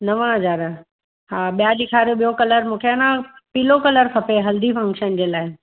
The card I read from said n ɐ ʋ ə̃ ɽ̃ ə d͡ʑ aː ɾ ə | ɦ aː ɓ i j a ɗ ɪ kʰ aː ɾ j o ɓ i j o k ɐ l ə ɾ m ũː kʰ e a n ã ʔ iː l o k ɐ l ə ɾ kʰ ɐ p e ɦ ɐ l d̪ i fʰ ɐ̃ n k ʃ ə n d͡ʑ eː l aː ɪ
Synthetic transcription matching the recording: n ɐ ʋ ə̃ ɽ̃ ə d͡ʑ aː ɾ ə | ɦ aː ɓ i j a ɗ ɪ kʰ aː ɾ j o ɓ i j o k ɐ l ə ɾ m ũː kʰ e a n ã p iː l o k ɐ l ə ɾ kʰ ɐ p e ɦ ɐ l d̪ i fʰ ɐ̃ ŋ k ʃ ə n d͡ʑ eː l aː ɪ